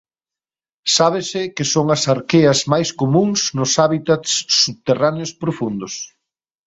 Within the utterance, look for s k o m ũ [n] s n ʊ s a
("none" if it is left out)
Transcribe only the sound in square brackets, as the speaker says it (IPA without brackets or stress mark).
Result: ŋ